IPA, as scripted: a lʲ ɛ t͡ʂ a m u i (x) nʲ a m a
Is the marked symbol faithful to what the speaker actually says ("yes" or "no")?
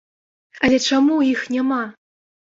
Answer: yes